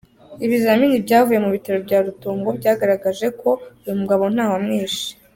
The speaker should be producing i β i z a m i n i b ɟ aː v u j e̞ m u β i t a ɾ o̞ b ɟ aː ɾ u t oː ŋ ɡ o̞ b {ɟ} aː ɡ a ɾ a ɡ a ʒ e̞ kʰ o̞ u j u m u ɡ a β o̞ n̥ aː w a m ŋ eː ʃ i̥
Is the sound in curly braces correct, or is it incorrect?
correct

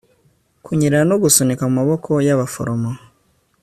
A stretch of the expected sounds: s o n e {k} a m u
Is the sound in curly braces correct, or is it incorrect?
correct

